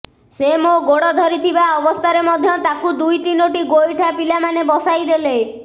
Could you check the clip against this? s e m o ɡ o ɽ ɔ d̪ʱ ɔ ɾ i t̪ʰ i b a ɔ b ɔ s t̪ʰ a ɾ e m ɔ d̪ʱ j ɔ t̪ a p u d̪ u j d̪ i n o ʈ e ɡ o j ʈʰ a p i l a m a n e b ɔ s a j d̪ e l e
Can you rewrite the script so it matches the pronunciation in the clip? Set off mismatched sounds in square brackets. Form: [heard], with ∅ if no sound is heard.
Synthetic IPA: s e m o ɡ o ɽ ɔ d̪ʱ ɔ ɾ i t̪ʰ i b a ɔ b ɔ s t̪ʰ a ɾ e m ɔ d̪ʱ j ɔ t̪ a [k] u d̪ u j [t̪] i n o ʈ [i] ɡ o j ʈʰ a p i l a m a n e b ɔ s a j d̪ e l e